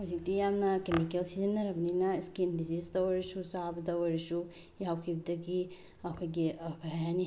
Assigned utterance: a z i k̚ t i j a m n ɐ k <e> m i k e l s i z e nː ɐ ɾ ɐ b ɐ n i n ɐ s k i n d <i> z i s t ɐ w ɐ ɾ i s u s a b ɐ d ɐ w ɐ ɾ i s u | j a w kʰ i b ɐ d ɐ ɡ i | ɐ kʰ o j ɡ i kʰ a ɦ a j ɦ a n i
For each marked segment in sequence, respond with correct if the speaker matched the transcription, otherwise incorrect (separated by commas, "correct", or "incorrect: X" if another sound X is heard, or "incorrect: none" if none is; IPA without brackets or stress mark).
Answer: correct, correct